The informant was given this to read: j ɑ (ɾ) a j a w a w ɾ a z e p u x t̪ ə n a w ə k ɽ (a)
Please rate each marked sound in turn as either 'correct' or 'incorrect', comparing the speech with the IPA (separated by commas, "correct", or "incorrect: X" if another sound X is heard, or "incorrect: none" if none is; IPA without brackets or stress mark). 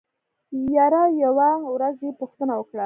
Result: correct, correct